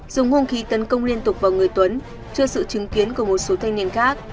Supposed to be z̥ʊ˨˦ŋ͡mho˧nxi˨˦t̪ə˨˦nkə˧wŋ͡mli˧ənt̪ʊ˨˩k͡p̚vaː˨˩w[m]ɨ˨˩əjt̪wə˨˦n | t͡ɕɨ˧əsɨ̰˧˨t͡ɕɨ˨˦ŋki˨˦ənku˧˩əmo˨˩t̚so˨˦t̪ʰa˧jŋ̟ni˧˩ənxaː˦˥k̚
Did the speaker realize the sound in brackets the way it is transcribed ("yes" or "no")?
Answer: no